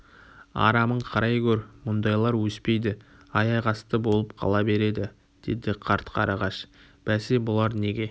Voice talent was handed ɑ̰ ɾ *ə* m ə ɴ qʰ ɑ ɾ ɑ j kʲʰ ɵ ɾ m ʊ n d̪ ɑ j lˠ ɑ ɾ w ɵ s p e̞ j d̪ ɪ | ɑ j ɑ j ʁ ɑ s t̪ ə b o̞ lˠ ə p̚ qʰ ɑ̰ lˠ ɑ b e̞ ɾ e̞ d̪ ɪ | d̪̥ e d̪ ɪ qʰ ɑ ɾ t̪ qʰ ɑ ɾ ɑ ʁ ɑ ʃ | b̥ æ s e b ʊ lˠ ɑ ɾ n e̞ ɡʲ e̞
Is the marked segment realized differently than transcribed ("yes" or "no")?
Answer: yes